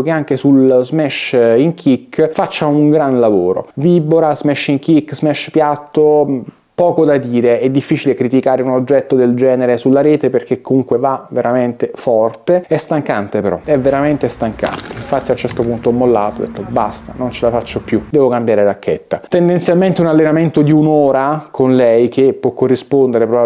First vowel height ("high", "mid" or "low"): mid